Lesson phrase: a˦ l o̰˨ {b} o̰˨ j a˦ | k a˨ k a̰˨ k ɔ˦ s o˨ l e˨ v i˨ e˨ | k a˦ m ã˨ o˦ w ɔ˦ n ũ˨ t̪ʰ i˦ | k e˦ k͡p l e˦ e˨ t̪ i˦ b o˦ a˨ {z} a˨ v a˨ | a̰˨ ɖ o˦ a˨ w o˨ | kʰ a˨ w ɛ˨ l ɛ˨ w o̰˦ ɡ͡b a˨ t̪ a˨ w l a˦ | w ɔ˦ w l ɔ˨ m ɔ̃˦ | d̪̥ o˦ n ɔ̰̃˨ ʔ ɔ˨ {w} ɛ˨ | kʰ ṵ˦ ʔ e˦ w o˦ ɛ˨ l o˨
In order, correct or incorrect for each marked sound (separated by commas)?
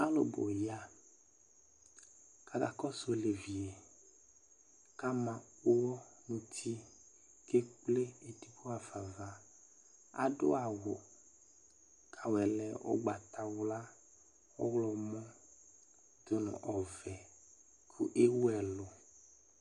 correct, incorrect, incorrect